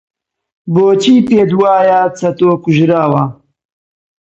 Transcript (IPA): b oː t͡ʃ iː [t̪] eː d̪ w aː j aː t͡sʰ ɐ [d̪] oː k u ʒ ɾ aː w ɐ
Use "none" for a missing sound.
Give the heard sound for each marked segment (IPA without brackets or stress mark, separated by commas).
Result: t̪, t̪